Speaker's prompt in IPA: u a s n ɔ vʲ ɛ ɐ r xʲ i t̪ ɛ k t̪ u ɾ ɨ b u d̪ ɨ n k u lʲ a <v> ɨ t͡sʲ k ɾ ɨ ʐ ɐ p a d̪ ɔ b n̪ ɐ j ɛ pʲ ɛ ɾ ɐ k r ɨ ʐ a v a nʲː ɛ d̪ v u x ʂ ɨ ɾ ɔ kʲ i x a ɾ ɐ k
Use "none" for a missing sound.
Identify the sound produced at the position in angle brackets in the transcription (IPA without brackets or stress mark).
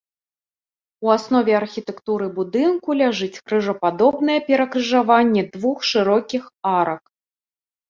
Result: ʐ